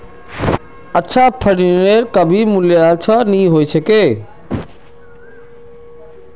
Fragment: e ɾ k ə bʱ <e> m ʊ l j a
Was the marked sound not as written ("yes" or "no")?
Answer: yes